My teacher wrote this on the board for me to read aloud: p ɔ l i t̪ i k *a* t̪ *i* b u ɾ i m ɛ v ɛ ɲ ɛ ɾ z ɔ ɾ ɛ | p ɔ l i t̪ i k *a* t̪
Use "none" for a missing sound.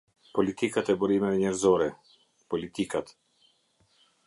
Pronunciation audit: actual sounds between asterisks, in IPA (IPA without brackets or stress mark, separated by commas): a, ɛ, a